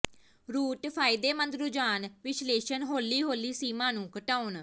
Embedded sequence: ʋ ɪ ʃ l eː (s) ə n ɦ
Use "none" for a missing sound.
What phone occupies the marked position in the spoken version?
ʃ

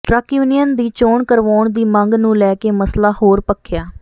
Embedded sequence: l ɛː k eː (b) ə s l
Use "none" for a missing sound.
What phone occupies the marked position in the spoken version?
m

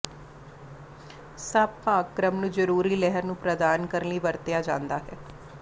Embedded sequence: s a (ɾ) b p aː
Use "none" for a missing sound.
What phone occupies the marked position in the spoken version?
none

